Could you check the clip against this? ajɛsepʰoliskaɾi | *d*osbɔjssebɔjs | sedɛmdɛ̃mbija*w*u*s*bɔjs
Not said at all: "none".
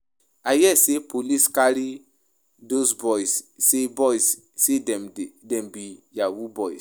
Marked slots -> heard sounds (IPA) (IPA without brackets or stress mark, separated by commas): d, w, none